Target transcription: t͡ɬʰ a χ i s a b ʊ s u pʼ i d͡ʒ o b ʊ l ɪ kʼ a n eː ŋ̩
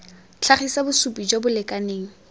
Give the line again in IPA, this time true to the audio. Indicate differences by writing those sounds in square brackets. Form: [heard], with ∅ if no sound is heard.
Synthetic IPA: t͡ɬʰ a χ i s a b ʊ s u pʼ i d͡ʒ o b ʊ l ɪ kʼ a n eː ŋ̩